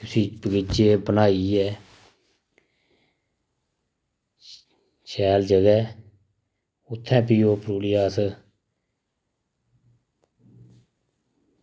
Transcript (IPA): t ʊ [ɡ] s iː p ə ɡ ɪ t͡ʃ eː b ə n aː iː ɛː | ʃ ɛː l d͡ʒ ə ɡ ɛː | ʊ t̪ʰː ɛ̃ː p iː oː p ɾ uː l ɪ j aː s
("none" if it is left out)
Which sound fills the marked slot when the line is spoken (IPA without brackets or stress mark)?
none